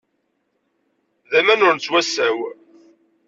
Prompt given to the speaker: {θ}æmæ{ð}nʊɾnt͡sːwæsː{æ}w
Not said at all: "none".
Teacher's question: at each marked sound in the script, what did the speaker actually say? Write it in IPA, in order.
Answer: ð, none, æ

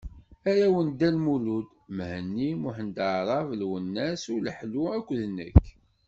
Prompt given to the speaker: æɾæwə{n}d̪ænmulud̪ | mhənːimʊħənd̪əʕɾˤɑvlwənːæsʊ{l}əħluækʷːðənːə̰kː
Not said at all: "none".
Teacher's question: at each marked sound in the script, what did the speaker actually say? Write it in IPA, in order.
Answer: n, l

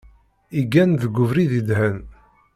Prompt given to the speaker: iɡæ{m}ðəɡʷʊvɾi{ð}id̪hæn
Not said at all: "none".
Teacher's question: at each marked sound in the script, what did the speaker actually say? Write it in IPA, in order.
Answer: n, ð

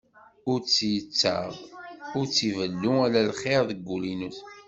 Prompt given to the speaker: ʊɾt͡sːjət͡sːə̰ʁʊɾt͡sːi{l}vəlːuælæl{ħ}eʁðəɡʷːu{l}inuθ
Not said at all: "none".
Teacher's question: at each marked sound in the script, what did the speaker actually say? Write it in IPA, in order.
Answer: none, χ, l

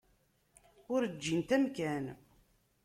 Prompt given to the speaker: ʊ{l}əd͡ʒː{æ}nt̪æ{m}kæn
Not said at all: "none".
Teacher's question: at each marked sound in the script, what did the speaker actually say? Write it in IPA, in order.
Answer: ɾ, i, m

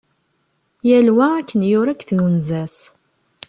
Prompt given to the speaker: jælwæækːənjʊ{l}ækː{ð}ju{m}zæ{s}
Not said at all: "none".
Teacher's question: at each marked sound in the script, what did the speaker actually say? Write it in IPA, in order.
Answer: ɾ, θ, n, s

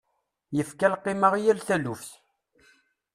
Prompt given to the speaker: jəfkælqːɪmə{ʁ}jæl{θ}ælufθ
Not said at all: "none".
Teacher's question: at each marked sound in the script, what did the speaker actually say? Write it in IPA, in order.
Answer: ʁ, θ

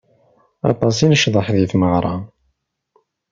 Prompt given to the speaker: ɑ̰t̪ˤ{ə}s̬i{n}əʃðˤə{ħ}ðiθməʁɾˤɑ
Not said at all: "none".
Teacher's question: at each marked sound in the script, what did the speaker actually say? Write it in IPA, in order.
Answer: ɑ, n, ħ

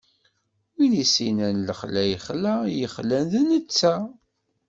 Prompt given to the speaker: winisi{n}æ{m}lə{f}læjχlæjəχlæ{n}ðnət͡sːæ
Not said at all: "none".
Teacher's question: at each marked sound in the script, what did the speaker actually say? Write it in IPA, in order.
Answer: n, n, χ, n

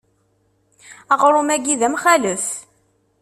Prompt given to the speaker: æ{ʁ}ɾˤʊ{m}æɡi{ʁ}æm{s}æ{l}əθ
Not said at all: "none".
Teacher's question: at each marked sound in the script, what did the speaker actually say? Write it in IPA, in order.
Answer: ʁ, m, ð, χ, l

